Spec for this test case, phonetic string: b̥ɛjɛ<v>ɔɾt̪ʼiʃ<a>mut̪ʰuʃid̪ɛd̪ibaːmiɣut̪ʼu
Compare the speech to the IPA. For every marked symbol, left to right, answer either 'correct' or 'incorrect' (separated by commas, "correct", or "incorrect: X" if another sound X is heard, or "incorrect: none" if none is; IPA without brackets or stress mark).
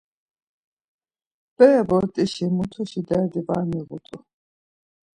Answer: incorrect: b, incorrect: i